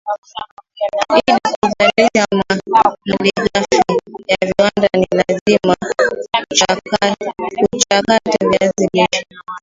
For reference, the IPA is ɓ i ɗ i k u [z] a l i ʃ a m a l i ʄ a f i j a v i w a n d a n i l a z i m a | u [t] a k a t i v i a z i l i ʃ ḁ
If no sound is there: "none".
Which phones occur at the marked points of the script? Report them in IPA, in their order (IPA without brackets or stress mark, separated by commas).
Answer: z, t͡ʃ